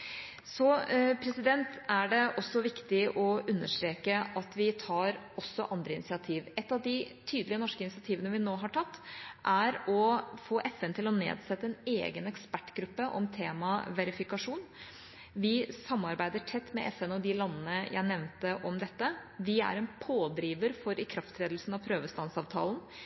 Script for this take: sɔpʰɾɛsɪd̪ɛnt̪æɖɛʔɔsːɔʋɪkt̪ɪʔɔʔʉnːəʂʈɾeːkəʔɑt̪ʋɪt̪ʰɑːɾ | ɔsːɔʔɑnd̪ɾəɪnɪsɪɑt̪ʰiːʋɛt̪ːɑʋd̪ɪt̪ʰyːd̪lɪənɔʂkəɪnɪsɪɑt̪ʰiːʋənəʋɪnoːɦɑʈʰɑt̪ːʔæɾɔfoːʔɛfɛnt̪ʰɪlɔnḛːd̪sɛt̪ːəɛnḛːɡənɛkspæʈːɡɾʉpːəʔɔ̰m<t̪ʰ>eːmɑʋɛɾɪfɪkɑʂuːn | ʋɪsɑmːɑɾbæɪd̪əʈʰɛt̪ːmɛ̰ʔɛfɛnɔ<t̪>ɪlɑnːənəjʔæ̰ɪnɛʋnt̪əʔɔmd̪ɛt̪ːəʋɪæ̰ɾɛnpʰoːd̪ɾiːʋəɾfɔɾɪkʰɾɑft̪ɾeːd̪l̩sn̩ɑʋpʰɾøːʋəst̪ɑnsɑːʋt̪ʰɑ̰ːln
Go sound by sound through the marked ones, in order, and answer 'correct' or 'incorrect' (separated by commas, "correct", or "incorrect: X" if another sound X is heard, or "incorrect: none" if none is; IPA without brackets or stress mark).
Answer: correct, incorrect: d̪